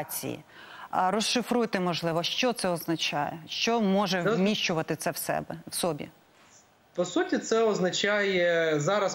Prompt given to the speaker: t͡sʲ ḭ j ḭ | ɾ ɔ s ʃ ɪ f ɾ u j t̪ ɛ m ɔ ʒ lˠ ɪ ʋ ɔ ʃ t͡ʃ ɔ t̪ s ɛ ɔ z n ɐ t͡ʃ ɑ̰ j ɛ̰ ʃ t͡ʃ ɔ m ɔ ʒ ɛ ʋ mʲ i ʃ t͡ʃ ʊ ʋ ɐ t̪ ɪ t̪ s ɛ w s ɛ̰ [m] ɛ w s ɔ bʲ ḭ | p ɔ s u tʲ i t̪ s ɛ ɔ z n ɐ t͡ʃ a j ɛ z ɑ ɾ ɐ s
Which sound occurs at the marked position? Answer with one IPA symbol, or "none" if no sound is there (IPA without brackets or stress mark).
b